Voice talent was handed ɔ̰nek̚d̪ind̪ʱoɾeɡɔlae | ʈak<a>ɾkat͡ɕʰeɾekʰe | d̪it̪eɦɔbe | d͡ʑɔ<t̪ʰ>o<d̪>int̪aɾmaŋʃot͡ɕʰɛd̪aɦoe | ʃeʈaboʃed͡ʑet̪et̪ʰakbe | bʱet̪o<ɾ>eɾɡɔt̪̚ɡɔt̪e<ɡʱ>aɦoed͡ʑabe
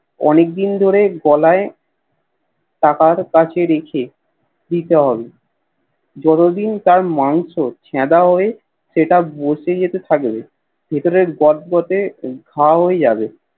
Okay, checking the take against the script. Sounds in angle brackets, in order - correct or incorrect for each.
correct, incorrect, correct, correct, correct

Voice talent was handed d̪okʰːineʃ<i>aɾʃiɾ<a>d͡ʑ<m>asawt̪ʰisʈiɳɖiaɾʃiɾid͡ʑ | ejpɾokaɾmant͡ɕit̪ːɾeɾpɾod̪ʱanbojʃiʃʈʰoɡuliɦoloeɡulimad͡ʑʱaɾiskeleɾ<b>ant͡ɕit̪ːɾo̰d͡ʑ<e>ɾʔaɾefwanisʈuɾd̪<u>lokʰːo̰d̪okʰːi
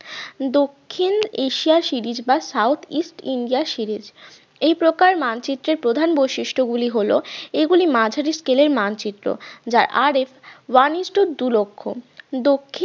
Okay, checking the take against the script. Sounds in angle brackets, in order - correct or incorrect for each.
correct, incorrect, incorrect, incorrect, incorrect, correct

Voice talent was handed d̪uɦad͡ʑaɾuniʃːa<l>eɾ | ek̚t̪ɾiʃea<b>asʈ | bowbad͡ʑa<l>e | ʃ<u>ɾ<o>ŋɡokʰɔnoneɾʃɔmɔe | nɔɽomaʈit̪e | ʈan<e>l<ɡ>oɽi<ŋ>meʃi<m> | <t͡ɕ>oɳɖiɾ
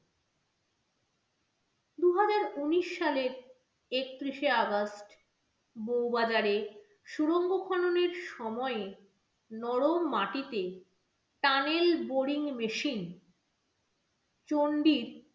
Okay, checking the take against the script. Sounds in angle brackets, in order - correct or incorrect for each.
correct, incorrect, incorrect, correct, correct, correct, incorrect, correct, incorrect, correct

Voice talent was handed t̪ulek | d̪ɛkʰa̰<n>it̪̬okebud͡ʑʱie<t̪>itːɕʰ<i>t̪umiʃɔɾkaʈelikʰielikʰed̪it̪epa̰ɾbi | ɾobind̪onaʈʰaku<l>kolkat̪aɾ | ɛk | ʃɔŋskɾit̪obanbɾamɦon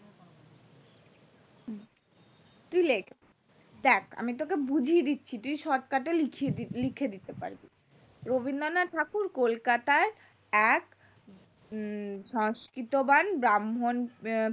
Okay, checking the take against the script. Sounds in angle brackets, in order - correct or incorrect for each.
incorrect, incorrect, correct, incorrect

